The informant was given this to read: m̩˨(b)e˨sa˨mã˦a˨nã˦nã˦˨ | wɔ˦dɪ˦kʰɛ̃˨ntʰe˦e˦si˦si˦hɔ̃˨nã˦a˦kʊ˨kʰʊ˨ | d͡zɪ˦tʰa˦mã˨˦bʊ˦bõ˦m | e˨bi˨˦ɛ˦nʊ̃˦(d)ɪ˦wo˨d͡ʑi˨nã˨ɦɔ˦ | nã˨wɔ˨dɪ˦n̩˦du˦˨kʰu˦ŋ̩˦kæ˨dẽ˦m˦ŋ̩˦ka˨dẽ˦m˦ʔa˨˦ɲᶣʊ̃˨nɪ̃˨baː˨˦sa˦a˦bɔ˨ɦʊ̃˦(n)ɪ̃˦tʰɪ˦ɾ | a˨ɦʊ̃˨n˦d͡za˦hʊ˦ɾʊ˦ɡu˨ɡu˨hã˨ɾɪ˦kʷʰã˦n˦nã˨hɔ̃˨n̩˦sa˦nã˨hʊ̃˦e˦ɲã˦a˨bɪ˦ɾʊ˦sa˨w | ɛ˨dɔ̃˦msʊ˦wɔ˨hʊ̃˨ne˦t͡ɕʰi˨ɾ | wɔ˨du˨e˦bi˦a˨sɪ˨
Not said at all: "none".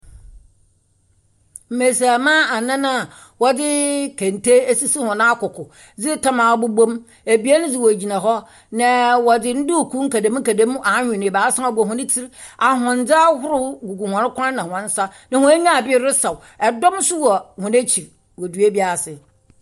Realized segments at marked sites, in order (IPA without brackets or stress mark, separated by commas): m, d͡z, n